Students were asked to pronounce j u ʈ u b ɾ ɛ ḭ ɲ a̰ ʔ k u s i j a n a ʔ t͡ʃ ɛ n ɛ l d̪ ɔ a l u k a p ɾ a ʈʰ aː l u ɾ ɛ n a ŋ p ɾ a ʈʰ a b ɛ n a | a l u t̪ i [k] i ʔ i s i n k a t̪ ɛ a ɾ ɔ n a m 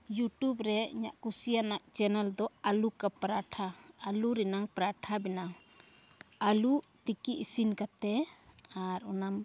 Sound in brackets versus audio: correct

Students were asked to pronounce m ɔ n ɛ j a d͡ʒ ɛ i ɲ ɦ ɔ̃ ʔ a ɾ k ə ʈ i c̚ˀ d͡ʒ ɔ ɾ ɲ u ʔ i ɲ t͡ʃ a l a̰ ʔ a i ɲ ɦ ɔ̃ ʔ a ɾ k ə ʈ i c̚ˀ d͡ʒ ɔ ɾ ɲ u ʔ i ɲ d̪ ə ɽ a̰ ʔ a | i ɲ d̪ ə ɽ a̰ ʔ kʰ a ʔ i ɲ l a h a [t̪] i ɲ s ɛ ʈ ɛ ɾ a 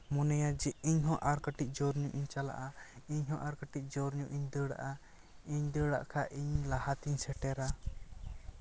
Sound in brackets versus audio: correct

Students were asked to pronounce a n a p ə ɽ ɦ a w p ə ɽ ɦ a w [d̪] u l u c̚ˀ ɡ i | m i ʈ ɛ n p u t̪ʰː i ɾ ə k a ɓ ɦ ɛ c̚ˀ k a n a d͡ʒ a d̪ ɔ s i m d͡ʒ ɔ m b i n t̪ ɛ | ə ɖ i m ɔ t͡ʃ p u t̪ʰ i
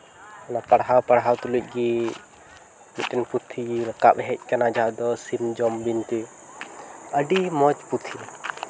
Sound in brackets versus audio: incorrect: t̪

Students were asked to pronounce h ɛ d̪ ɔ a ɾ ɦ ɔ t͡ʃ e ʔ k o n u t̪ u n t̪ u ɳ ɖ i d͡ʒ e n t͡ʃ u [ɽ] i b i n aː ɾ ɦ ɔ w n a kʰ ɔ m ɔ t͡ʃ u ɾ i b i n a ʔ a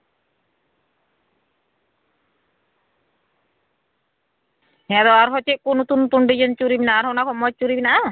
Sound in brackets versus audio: incorrect: ɾ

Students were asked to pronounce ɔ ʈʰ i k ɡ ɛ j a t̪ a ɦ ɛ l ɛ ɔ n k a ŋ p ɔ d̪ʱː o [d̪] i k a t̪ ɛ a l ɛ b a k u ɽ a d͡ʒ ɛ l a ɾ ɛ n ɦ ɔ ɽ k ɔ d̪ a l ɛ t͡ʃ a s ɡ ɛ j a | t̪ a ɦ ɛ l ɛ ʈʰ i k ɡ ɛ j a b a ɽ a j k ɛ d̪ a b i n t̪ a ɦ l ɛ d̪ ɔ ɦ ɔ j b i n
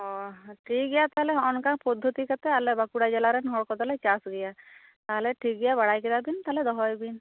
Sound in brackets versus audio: incorrect: t̪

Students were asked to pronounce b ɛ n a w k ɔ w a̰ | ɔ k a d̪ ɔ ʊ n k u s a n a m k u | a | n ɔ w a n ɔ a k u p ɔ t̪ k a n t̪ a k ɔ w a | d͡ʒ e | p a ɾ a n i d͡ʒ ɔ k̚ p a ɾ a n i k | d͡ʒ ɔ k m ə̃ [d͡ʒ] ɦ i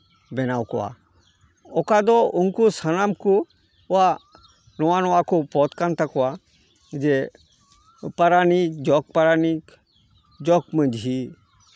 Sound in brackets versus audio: correct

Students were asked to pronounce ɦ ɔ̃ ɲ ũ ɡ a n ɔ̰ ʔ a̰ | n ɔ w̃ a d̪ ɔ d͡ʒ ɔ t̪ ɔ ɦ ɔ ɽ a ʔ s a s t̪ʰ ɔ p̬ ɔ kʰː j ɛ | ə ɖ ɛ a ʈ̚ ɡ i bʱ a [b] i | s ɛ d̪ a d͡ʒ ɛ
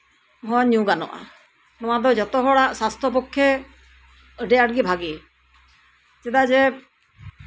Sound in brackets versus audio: incorrect: ɡ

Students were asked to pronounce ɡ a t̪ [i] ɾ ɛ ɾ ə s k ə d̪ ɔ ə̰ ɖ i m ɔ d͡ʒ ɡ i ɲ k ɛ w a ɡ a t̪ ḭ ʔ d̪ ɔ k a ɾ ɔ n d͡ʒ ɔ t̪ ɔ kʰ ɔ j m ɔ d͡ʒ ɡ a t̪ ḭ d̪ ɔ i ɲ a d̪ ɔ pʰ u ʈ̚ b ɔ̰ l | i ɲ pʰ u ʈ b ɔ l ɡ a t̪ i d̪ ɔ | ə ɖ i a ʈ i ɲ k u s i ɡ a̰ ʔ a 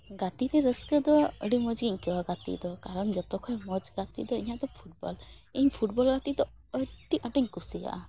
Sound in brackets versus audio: correct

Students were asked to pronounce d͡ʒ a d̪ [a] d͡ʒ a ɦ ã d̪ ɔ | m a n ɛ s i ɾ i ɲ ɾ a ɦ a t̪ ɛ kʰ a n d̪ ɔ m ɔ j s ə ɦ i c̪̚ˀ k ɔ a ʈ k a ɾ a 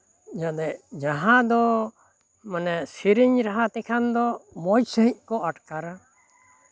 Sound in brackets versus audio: incorrect: ɛ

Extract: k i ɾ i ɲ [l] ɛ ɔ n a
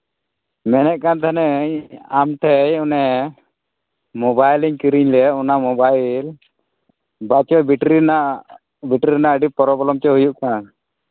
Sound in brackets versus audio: correct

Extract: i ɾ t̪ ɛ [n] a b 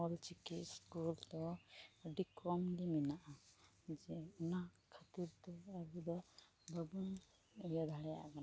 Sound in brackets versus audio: incorrect: none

